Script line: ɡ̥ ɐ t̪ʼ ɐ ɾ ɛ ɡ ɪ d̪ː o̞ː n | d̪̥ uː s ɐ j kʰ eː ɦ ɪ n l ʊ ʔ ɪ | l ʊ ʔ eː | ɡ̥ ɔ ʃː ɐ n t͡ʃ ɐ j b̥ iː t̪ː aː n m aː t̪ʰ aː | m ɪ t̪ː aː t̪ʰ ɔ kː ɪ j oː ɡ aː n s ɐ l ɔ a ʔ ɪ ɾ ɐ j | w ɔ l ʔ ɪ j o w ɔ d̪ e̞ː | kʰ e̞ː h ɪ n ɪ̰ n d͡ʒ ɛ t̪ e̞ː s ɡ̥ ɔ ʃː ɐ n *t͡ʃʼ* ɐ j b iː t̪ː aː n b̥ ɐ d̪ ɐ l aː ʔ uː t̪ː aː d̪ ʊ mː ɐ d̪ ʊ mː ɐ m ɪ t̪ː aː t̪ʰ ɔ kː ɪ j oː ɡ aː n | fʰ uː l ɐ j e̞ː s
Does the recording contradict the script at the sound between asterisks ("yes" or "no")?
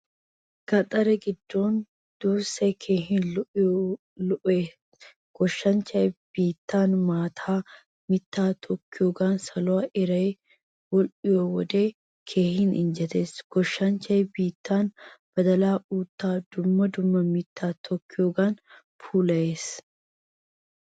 yes